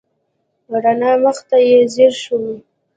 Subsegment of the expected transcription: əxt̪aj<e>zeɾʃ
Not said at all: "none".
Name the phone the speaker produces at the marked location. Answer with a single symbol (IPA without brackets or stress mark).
e